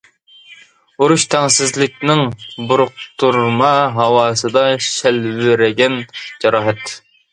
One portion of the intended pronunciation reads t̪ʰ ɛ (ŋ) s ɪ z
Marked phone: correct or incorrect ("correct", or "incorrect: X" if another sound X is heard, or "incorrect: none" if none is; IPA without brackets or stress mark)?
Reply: correct